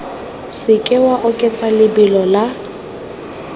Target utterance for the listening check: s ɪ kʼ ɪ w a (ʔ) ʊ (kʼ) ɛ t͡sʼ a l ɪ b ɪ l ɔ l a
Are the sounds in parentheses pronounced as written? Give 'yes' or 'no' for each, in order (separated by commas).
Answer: yes, yes